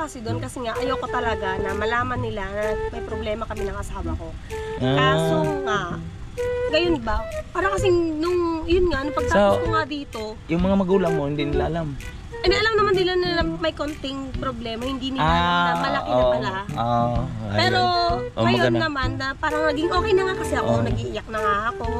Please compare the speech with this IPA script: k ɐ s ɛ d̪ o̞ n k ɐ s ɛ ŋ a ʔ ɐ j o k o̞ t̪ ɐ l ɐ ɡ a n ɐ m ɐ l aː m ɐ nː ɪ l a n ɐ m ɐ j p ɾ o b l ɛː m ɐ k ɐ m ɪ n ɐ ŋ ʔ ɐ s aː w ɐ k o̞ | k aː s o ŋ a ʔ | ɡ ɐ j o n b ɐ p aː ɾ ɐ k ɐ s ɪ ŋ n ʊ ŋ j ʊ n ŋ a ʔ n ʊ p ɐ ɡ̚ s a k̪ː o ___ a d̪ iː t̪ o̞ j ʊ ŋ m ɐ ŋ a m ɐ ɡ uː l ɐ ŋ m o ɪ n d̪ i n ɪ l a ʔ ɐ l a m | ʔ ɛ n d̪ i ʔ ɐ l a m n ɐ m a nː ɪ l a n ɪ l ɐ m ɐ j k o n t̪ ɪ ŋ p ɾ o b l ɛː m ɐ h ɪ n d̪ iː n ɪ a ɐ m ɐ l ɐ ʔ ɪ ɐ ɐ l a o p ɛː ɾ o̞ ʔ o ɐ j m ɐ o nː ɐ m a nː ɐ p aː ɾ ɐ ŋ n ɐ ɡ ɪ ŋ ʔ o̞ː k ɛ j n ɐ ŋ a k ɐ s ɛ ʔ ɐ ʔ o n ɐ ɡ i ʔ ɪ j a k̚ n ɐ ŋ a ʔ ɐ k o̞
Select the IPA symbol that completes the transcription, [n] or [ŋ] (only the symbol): ŋ